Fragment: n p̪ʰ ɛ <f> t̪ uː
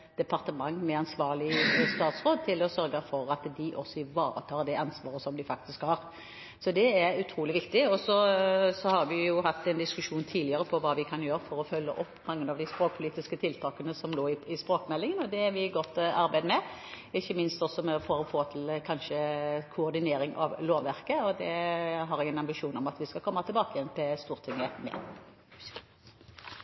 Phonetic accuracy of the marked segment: incorrect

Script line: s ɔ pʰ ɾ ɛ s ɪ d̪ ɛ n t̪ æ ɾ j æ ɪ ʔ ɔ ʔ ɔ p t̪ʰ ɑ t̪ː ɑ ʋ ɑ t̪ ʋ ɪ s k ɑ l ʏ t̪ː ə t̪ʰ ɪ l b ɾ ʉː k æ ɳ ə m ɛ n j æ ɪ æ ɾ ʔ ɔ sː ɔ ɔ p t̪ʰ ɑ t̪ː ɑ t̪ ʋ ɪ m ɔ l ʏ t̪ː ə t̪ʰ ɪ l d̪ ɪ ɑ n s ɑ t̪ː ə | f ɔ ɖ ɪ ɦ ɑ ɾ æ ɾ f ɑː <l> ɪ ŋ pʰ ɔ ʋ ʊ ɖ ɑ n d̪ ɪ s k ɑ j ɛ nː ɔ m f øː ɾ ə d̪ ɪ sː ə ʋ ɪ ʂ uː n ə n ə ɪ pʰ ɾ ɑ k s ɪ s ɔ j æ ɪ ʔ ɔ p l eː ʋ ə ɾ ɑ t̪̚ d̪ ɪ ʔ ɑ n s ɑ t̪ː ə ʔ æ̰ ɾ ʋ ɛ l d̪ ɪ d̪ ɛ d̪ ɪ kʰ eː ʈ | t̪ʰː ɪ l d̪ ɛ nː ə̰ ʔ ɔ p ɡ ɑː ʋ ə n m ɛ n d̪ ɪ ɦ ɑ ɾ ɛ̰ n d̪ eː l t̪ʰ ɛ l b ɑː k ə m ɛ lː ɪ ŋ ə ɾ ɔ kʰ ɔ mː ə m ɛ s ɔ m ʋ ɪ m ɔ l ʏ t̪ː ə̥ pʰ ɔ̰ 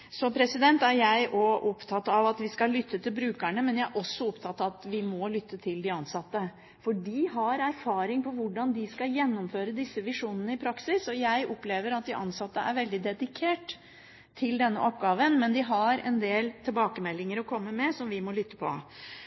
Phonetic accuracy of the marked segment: incorrect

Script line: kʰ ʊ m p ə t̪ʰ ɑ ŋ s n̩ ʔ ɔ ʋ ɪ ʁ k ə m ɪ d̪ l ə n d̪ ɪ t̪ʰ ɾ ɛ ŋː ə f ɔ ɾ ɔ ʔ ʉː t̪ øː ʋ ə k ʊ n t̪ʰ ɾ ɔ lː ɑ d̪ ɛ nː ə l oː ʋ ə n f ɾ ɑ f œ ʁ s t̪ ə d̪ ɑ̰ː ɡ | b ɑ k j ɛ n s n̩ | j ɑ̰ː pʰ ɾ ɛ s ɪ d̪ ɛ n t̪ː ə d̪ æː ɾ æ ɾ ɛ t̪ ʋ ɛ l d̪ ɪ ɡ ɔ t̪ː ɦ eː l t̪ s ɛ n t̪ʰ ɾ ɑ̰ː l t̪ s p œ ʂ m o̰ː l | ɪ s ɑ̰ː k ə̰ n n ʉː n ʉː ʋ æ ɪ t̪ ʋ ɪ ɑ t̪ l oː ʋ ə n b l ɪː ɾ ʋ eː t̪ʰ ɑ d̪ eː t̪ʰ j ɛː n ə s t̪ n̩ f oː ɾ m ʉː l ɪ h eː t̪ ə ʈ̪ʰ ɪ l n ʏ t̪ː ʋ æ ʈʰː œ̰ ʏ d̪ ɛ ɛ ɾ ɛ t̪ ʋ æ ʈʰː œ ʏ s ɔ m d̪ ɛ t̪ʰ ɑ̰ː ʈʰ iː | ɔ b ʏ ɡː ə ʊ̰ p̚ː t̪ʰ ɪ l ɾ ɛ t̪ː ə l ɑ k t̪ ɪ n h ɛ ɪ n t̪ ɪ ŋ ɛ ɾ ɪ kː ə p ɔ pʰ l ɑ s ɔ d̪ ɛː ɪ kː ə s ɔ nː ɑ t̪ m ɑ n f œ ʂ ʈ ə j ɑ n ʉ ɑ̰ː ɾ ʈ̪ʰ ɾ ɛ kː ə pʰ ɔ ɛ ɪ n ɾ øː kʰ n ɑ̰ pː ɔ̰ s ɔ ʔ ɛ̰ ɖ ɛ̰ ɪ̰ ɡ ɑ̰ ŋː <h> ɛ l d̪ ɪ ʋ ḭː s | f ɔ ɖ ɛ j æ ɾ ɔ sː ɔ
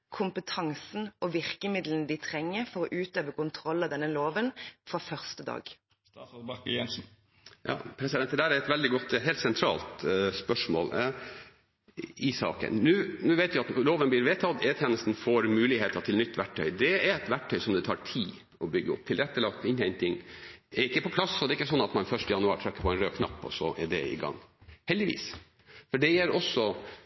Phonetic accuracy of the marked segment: correct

